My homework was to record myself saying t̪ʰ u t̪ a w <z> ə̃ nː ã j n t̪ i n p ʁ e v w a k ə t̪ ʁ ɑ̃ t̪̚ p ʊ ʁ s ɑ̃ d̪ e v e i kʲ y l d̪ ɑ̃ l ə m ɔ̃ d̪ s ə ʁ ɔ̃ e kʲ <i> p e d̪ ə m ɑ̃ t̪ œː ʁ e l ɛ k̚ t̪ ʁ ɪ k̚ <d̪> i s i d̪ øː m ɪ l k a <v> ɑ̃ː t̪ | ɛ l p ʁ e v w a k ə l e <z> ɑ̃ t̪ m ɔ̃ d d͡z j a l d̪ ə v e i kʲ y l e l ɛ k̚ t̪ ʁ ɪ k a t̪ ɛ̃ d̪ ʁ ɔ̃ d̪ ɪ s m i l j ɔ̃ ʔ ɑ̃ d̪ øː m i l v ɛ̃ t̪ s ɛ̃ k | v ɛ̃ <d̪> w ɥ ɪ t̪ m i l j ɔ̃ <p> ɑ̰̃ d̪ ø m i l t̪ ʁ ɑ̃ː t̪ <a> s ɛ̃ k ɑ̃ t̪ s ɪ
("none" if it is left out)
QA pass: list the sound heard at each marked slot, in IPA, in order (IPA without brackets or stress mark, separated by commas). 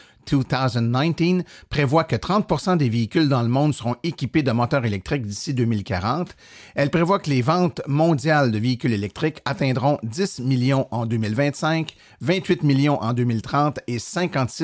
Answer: z, i, d̪, ʁ, v, t̪, ʔ, e